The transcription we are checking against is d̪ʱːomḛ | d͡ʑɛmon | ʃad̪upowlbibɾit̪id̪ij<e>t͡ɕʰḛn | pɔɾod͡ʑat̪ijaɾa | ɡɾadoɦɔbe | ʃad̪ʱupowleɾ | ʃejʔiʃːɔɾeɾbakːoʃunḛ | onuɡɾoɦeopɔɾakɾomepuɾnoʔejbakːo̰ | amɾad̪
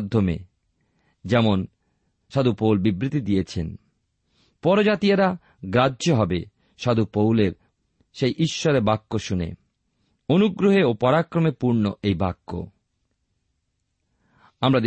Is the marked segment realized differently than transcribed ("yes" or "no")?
no